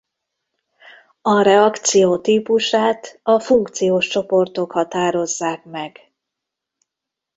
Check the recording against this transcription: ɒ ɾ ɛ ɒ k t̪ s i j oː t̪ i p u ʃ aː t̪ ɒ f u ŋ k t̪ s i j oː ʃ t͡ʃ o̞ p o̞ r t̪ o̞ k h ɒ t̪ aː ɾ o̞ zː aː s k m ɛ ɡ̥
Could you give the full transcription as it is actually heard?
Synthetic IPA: ɒ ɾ ɛ ɒ k t̪ s i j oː t̪ iː p u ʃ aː t̪ ɒ f u ŋ k t̪ s i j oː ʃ t͡ʃ o̞ p o̞ r t̪ o̞ k h ɒ t̪ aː ɾ o̞ zː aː k m ɛ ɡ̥